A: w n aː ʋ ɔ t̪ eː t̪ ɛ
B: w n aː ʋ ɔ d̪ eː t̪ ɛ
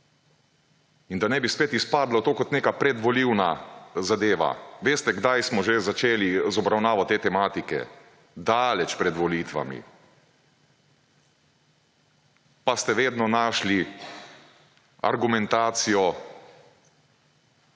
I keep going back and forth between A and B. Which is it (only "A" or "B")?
A